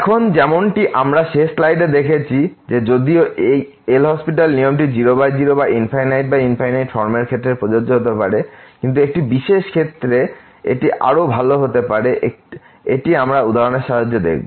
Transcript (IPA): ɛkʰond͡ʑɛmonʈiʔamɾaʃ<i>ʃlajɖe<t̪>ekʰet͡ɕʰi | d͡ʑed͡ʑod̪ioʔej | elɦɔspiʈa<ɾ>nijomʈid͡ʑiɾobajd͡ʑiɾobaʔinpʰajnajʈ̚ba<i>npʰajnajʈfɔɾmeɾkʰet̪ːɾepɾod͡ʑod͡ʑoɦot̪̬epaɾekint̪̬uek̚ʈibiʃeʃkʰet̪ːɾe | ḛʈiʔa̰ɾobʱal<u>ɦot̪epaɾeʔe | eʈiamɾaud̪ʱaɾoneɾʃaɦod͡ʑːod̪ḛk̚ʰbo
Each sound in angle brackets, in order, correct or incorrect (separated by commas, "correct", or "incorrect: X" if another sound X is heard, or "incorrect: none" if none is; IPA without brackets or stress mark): incorrect: e, incorrect: d̪, incorrect: l, correct, incorrect: o